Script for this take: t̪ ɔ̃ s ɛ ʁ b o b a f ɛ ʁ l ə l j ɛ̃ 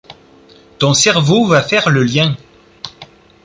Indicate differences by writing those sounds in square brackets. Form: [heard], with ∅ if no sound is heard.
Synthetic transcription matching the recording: t̪ ɔ̃ s ɛ ʁ [v] o [v] a f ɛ ʁ l ə l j ɛ̃

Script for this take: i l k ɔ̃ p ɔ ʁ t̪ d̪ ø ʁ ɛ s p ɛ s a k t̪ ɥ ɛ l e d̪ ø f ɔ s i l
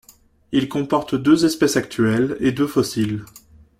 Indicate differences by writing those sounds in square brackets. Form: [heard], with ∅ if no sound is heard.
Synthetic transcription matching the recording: i l k ɔ̃ p ɔ ʁ t̪ d̪ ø [z] ɛ s p ɛ s a k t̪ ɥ ɛ l e d̪ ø f ɔ s i l

